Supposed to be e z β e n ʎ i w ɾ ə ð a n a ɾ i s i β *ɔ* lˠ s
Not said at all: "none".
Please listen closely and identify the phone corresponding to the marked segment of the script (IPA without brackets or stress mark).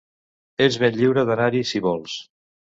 ɔ